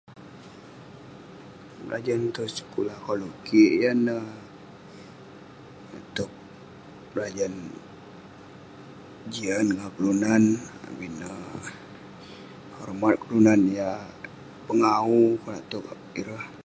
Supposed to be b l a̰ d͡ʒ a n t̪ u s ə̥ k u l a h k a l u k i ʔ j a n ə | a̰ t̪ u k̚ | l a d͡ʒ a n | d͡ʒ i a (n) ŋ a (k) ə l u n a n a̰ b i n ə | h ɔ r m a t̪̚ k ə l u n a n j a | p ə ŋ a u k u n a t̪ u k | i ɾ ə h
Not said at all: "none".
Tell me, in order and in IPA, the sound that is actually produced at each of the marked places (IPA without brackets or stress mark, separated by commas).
n, k